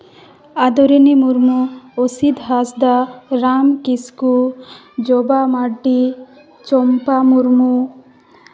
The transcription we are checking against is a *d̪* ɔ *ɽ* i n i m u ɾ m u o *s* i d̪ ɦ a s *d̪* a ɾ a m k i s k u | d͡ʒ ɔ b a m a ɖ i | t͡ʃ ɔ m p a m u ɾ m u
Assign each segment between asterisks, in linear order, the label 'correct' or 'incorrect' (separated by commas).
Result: correct, incorrect, correct, correct